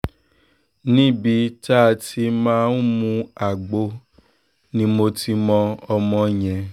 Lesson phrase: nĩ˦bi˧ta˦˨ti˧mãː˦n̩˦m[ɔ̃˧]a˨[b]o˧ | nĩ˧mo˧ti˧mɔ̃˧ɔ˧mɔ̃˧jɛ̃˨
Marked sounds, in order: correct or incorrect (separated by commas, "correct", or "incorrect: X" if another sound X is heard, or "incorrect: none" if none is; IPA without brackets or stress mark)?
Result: incorrect: ũ˧, incorrect: ɡ͡b